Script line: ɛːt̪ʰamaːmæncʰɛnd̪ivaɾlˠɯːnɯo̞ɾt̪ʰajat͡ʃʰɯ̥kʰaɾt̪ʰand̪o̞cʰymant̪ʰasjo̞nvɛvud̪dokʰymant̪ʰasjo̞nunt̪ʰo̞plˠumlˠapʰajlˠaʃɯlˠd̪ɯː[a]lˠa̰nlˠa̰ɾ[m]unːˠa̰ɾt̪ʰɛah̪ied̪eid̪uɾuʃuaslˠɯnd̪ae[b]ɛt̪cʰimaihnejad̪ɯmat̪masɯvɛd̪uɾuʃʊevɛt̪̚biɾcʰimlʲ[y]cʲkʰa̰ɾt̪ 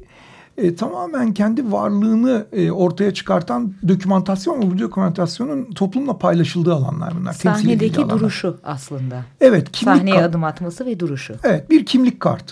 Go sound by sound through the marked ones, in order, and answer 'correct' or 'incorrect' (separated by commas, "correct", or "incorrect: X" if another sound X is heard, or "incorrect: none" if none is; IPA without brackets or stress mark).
correct, incorrect: b, incorrect: v, incorrect: i